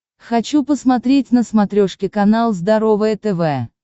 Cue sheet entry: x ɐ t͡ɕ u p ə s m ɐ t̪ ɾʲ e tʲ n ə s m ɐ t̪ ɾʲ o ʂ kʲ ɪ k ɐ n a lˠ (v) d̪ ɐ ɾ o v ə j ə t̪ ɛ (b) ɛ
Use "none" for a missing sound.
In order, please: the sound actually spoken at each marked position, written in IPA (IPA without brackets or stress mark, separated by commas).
z, v